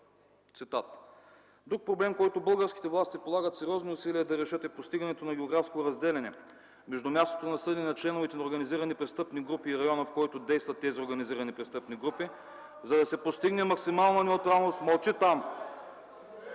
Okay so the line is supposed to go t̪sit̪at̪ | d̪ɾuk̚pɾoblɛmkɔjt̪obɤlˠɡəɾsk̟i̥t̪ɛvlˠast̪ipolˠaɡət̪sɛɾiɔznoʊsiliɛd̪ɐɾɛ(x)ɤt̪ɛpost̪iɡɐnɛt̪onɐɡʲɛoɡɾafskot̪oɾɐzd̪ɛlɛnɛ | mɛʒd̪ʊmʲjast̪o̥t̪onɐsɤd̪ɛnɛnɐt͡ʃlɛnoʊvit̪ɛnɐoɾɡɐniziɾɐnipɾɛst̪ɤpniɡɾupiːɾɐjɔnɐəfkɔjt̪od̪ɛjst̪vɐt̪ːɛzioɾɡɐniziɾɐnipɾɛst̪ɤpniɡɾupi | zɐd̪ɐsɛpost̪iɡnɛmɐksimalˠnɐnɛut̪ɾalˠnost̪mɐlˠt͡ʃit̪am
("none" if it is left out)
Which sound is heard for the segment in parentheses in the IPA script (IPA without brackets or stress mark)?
ʃ